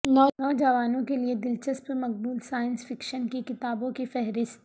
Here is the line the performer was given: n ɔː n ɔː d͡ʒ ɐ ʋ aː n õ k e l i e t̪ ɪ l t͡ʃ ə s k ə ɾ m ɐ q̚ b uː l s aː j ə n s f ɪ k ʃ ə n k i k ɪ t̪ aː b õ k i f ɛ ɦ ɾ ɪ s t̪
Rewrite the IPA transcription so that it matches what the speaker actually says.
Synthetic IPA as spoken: n ɔː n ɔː d͡ʒ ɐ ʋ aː n õ k e l i e d̪ ɪ l t͡ʃ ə s p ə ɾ m ɐ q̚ b uː l s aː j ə n s f ɪ k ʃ ə n k i k ɪ t̪ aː b õ k i f ɛ ɦ ɾ ɪ s t̪

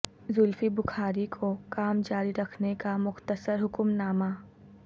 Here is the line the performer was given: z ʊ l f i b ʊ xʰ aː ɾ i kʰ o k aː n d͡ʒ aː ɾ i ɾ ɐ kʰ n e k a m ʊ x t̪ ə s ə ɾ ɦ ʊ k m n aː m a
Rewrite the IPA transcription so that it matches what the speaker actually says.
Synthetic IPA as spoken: z ʊ l f i b ʊ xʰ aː ɾ i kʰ o k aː m d͡ʒ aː ɾ i ɾ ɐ kʰ n e k a m ʊ x t̪ ə s ə ɾ ɦ ʊ k m n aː m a

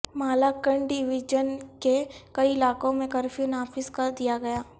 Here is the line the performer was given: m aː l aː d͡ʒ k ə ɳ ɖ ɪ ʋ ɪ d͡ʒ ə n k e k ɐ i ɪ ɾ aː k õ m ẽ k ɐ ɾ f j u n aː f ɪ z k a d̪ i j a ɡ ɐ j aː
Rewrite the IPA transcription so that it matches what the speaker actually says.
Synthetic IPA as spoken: m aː l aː k ə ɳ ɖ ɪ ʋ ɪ d͡ʒ ə n k e k ɐ i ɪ l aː k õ m ẽ k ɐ ɾ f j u n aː f ɪ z k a d̪ i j a ɡ ɐ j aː

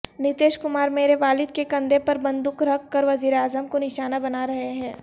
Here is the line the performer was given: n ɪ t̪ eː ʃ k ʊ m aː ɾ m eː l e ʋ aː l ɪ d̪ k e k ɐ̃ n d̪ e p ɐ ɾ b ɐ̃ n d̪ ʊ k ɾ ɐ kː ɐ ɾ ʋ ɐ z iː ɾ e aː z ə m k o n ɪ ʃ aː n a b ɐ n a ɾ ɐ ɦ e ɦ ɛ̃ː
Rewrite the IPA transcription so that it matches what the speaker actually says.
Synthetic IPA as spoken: n ɪ t̪ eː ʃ k ʊ m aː ɾ m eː ɾ e ʋ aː l ɪ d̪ k e k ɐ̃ n d̪ e p ɐ ɾ b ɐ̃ n d̪ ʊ k ɾ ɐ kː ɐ ɾ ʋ ɐ z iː ɾ e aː z ə m k o n ɪ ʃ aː n a b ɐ n a ɾ ɐ ɦ e ɦ ɛ̃ː

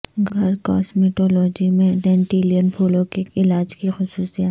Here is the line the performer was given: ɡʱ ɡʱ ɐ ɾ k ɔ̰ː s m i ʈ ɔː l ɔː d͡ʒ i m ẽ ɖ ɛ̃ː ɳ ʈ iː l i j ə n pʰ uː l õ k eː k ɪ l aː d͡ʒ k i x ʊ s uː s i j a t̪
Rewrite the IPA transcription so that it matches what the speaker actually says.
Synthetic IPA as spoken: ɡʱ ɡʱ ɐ ɾ k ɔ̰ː s m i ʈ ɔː l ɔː d͡ʒ i m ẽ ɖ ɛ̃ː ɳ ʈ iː l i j ə n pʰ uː l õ k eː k ɪ l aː d͡ʒ k i x ʊ s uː s i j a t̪

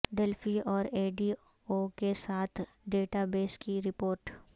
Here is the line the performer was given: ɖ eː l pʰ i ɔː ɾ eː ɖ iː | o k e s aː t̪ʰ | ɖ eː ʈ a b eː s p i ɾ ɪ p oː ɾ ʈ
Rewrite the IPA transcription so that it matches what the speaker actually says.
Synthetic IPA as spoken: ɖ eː l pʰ i ɔː ɾ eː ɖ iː | o k e s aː t̪ʰ | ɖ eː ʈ a b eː s k i ɾ ɪ p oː ɾ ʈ

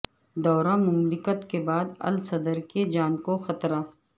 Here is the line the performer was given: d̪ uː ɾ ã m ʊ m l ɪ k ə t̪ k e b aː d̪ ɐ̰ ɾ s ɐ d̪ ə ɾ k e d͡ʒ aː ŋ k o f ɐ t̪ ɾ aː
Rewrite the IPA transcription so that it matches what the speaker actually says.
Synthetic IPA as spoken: d̪ ɔː ɾ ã m ʊ m l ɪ k ə t̪ k e b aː d̪ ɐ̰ l s ɐ d̪ ə ɾ k e d͡ʒ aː n k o x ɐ t̪ ɾ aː

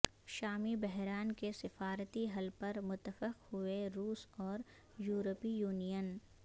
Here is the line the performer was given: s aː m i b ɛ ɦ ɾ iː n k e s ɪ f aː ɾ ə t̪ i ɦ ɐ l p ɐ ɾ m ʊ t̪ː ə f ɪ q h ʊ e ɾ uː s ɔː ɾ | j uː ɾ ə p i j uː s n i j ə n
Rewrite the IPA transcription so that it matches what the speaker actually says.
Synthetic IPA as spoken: ʃ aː m i b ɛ ɦ ɾ aː n k e s ɪ f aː ɾ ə t̪ i ɦ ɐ l p ɐ ɾ m ʊ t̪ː ə f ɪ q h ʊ e ɾ uː s ɔː ɾ | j uː ɾ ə p i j uː n i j ə n

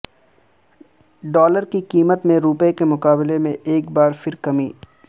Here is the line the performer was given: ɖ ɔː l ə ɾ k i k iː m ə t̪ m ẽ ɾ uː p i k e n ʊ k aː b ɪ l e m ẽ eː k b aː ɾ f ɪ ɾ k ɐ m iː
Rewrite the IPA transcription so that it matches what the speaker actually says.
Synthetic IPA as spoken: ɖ ɔː l ə ɾ k i k iː m ə t̪ m ẽ ɾ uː p e k e m ʊ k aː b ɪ l e m ẽ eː k b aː ɾ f ɪ ɾ k ɐ m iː

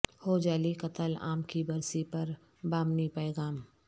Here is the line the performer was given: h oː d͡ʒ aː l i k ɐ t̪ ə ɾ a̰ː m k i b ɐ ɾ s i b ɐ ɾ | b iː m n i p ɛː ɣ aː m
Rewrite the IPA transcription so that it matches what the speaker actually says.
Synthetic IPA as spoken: h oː d͡ʒ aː l i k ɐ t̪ ə l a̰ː m k i b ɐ ɾ s i p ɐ ɾ | b aː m n i p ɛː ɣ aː m

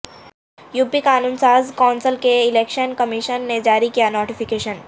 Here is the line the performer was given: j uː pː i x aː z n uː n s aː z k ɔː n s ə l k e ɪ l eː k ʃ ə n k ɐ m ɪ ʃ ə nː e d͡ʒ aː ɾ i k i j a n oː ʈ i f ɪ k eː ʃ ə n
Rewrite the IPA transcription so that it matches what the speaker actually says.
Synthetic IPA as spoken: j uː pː i k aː n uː n s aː z k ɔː n s ə l k e ɪ l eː k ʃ ə n k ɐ m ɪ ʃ ə nː e d͡ʒ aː ɾ i k i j a n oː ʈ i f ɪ k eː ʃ ə n

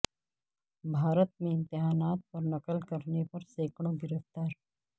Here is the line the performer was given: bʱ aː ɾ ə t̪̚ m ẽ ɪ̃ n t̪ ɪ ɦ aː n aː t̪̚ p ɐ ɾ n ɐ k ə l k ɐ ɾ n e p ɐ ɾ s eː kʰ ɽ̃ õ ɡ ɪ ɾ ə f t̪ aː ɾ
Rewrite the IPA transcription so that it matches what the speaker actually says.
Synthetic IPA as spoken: bʱ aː ɾ ə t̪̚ m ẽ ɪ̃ n t̪ ɪ ɦ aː n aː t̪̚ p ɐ ɾ n ɐ k ə l k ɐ ɾ n e p ɐ ɾ s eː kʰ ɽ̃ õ ɡ ɪ ɾ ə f t̪ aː ɾ

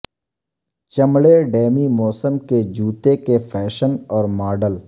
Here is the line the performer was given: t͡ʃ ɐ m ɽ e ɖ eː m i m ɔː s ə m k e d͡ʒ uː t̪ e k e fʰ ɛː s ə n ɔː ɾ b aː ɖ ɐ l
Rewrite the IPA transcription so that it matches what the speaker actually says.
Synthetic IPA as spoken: t͡ʃ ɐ m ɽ e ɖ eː m i m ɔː s ə m k e d͡ʒ uː t̪ e k e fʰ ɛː ʃ ə n ɔː ɾ m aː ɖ ə l

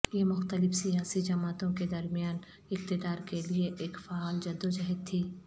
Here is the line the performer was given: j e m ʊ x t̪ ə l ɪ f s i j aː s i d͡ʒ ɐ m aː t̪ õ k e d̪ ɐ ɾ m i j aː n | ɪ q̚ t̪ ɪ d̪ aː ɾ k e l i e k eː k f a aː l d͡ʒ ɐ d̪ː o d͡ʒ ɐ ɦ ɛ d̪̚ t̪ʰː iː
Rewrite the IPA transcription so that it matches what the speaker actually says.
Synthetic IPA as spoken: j e m ʊ x t̪ ə l ɪ f s i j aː s i d͡ʒ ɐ m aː t̪ õ k e d̪ ɐ ɾ m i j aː n | ɪ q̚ t̪ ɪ d̪ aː ɾ k e l i e ʔ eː k f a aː l d͡ʒ ɐ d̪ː o d͡ʒ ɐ ɦ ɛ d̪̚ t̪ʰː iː

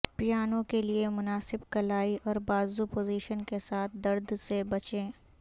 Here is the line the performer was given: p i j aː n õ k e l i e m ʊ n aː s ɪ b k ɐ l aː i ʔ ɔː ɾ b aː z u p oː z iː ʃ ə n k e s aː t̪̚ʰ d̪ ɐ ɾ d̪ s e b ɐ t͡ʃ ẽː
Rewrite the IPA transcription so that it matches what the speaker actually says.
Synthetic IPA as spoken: p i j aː n õ k e l i e m ʊ n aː s ɪ b k ɐ l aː i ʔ ɔː ɾ b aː z u p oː z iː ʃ ə n k e s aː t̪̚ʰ d̪ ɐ ɾ d̪ s e b ɐ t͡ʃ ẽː

